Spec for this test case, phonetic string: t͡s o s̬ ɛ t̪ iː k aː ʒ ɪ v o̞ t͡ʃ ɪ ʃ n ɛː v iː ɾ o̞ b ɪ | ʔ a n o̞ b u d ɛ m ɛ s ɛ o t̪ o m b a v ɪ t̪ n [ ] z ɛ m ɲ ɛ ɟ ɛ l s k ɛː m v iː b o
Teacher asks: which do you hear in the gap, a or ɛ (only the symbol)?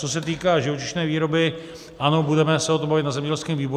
a